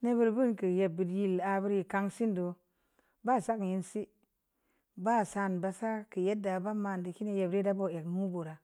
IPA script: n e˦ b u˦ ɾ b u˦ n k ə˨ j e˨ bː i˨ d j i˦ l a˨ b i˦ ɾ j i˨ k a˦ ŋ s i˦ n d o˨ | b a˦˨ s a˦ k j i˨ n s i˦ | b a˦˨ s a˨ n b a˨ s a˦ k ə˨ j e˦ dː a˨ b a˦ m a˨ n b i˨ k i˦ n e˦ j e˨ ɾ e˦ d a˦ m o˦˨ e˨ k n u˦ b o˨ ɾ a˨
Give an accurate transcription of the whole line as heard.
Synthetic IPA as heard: n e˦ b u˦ ɾ b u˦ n k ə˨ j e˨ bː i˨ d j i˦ l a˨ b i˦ ɾ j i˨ k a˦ ŋ s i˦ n d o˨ | b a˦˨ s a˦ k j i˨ n s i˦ | b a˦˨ s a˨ n b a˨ s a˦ k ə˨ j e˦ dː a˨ b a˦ m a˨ n d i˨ k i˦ n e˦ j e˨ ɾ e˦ d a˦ b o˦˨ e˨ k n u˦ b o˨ ɾ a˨